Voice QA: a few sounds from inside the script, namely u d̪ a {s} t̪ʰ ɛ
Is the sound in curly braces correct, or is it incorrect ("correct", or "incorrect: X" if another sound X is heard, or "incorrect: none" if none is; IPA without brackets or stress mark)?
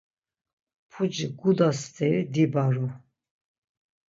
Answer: correct